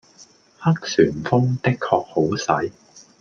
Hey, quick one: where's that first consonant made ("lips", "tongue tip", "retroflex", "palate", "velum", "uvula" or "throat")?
throat